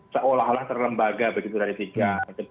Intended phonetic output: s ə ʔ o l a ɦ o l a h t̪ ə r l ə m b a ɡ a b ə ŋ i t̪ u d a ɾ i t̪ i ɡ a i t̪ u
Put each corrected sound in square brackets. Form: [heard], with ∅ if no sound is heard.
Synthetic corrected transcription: s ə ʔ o l a ɦ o l a h t̪ ə r l ə m b a ɡ a b ə [ɡ] i t̪ u d a ɾ i t̪ i ɡ a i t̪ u